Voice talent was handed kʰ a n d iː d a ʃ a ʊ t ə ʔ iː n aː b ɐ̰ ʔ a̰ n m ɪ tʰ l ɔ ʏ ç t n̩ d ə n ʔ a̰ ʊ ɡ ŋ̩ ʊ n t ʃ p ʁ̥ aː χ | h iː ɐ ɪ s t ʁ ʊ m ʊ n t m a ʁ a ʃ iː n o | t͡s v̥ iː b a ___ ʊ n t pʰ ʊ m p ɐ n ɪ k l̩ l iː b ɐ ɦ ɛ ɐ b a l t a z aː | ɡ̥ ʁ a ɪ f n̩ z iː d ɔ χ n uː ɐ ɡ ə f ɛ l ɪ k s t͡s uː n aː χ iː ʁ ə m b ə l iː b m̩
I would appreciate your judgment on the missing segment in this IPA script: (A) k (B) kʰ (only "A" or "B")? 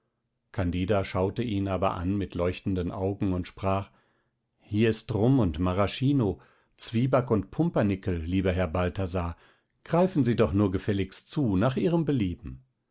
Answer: A